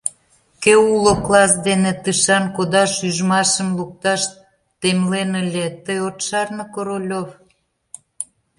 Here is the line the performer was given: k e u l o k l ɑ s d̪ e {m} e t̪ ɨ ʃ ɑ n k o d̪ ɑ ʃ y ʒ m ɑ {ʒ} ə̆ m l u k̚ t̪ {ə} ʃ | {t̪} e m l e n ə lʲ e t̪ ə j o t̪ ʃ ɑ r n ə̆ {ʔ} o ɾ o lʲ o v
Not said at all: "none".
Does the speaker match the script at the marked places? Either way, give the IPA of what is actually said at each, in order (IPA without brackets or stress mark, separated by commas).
n, ʃ, ɑ, t̪, k